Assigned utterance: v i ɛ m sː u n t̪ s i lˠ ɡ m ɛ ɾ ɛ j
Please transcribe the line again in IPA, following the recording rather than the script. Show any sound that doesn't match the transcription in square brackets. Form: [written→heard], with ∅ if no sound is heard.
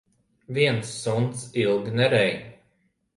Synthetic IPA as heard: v i ɛ [m→n] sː u n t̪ s i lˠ ɡ [m→n] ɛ ɾ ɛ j